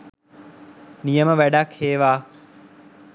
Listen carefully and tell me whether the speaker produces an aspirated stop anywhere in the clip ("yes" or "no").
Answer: yes